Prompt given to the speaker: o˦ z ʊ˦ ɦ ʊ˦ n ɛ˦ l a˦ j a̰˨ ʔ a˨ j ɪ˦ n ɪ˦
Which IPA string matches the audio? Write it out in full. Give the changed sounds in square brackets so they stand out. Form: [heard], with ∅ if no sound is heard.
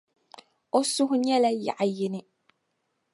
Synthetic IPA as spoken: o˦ [s] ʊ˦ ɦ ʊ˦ [ɲ] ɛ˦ l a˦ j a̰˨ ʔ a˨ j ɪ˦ n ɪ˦

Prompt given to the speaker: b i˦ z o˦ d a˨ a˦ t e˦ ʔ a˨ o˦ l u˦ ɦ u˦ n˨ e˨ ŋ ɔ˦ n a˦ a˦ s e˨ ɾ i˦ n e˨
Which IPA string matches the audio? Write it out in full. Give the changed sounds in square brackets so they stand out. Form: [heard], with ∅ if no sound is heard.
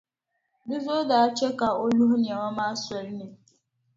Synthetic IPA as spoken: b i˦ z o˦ d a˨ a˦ [t͡ʃ] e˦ [k] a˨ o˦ l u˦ ɦ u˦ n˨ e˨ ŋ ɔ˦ [m] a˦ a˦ s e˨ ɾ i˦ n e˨

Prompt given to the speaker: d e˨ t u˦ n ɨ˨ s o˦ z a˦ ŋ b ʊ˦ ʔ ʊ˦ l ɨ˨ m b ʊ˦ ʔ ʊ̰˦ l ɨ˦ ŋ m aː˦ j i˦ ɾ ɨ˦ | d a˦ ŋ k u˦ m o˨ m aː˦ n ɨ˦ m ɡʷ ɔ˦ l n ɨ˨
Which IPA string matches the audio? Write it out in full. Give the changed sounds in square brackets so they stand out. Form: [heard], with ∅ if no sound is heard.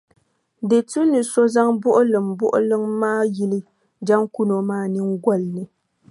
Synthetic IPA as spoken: d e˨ t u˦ n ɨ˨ s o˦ z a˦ ŋ b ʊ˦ ʔ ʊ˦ l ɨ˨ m b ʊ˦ ʔ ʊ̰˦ l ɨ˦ ŋ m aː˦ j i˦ [l] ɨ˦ | [d͡ʒ] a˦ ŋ k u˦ [n] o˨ m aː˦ n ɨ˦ [ŋ] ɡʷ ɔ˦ l n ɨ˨

